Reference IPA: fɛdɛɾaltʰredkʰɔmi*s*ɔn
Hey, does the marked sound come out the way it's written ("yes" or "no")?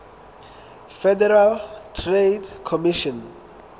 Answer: no